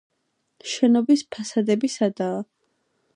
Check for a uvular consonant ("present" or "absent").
absent